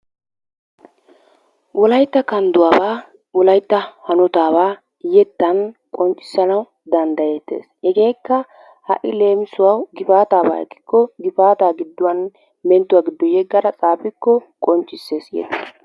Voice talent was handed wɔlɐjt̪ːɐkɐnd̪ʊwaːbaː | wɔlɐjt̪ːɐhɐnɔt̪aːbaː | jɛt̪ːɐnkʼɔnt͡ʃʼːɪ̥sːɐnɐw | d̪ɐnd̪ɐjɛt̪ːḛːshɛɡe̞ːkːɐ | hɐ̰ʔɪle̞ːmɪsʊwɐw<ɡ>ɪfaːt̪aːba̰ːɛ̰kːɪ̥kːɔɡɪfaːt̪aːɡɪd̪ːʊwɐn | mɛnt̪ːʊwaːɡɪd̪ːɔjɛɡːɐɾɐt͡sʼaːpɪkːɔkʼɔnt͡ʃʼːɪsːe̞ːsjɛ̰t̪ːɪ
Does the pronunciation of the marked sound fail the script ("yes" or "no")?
no